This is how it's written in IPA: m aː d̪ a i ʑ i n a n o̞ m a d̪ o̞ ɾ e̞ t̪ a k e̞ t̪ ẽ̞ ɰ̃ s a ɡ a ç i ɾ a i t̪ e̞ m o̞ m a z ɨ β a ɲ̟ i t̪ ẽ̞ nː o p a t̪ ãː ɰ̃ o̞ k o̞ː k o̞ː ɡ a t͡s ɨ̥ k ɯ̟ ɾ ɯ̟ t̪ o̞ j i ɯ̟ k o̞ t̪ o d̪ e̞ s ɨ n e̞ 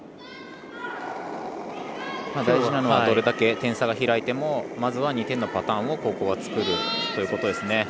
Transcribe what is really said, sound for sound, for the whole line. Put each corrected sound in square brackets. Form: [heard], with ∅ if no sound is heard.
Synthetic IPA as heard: m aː d̪ a i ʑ i n a n o̞ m a d̪ o̞ ɾ e̞ [d̪] a k e̞ t̪ ẽ̞ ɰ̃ s a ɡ a ç i ɾ a i t̪ e̞ m o̞ m a z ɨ β a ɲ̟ i t̪ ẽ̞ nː o p a t̪ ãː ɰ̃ o̞ k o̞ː k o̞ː ɡ a t͡s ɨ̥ k ɯ̟ ɾ ɯ̟ t̪ o̞ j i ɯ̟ k o̞ t̪ o d̪ e̞ s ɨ n e̞

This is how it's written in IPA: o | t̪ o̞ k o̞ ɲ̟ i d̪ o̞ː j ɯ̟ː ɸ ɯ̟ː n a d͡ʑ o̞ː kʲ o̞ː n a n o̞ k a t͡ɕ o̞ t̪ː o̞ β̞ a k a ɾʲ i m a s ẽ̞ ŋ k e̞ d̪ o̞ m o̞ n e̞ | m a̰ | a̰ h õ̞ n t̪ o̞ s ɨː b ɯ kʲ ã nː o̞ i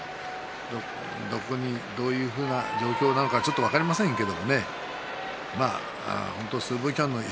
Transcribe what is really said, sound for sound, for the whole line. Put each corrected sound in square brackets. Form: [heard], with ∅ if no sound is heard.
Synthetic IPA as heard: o | [d̪] o̞ k o̞ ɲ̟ i d̪ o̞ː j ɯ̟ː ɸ ɯ̟ː n a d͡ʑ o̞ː kʲ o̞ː n a n o̞ k a t͡ɕ o̞ t̪ː o̞ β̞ a k a ɾʲ i m a s ẽ̞ ŋ k e̞ d̪ o̞ m o̞ n e̞ | m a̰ | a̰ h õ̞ n t̪ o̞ s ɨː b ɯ kʲ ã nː o̞ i

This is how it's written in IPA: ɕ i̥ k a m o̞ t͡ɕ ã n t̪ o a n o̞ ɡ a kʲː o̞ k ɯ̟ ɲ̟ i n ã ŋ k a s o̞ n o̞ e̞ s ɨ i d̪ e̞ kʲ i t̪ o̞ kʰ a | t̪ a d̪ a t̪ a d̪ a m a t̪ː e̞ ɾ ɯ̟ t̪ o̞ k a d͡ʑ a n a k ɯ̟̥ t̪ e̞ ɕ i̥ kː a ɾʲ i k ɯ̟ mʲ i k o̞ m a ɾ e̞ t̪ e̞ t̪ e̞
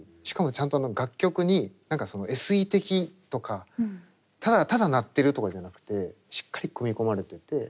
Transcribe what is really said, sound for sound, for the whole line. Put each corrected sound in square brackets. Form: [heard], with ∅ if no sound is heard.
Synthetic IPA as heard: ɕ i̥ k a m o̞ t͡ɕ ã n t̪ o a n o̞ ɡ a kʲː o̞ k ɯ̟ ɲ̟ i n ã ŋ k a s o̞ n o̞ e̞ s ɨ i [t̪] e̞ kʲ i t̪ o̞ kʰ a | t̪ a d̪ a t̪ a d̪ a [n] a t̪ː e̞ ɾ ɯ̟ t̪ o̞ k a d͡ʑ a n a k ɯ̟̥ t̪ e̞ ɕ i̥ kː a ɾʲ i k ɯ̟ mʲ i k o̞ m a ɾ e̞ t̪ e̞ t̪ e̞

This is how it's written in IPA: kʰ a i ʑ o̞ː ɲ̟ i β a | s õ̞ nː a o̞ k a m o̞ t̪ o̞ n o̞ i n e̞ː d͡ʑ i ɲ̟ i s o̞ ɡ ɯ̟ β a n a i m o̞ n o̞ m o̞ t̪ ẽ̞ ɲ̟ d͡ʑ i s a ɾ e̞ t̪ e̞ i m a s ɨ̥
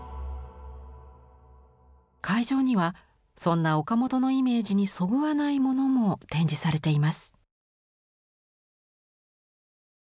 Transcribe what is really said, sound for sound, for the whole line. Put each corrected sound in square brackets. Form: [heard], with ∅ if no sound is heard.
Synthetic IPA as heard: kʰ a i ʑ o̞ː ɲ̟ i β a | s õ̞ nː a o̞ k a m o̞ t̪ o̞ n o̞ i [m] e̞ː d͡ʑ i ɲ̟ i s o̞ ɡ ɯ̟ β a n a i m o̞ n o̞ m o̞ t̪ ẽ̞ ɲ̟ d͡ʑ i s a ɾ e̞ t̪ e̞ i m a s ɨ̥

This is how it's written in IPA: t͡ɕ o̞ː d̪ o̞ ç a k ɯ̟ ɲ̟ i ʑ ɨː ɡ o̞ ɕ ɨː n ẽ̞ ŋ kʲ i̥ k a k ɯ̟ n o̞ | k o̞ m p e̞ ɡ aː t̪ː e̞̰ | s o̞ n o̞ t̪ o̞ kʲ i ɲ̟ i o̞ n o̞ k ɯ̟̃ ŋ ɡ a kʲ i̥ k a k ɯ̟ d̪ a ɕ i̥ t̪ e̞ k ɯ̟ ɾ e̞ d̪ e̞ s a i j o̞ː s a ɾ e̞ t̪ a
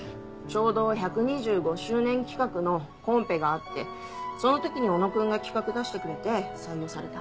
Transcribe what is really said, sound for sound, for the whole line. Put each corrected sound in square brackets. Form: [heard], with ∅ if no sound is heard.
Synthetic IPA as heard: t͡ɕ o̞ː d̪ o̞ ç a k ɯ̟ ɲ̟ i ʑ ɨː ɡ o̞ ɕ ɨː n ẽ̞ ŋ kʲ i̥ k a k ɯ̟ n o̞ | k [õ̞] m p e̞ ɡ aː t̪ː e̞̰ | s o̞ n o̞ t̪ o̞ kʲ i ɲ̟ i o̞ n o̞ k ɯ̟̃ ŋ ɡ a kʲ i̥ k a k ɯ̟ d̪ a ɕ i̥ t̪ e̞ k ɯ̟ ɾ e̞ [t̪] e̞ s a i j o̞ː s a ɾ e̞ t̪ a

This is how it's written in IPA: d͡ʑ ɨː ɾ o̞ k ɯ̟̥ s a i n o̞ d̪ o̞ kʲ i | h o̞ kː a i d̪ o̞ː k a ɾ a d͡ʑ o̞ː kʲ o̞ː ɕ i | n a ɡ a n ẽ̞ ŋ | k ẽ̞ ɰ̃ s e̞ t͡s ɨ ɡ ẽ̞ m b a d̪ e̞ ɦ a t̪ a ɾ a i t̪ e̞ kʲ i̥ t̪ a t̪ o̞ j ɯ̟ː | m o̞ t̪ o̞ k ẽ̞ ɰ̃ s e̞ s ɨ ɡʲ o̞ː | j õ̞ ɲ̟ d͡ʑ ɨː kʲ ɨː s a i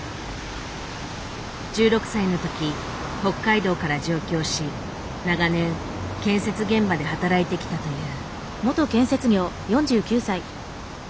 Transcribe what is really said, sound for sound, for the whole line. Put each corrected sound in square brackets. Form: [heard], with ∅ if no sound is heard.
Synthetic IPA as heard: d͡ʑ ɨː ɾ o̞ k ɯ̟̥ s a i n o̞ [t̪] o̞ kʲ i | h o̞ kː a i d̪ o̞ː k a ɾ a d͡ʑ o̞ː kʲ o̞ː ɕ i | n a ɡ a n ẽ̞ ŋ | k ẽ̞ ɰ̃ s e̞ t͡s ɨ ɡ ẽ̞ m b a d̪ e̞ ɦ a t̪ a ɾ a i t̪ e̞ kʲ i̥ t̪ a t̪ o̞ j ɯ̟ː | m o̞ t̪ o̞ k ẽ̞ ɰ̃ s e̞ [t͡s] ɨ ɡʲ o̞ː | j õ̞ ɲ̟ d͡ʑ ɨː kʲ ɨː s a i

